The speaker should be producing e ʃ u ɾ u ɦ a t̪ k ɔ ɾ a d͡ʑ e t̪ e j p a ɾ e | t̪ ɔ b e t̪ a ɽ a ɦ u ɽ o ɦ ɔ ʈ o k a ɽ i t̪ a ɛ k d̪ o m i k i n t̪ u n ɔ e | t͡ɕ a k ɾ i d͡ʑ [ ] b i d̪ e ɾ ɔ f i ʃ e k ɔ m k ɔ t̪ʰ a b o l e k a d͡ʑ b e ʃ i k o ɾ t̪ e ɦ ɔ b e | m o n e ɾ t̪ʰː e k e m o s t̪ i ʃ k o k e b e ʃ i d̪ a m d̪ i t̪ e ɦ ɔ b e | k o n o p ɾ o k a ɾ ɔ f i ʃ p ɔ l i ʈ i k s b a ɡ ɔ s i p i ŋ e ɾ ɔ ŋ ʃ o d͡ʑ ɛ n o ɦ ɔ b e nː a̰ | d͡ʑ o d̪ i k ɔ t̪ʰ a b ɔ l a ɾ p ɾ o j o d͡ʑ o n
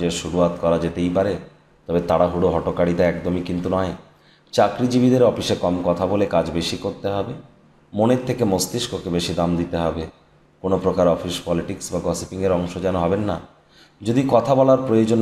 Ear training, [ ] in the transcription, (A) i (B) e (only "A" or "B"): A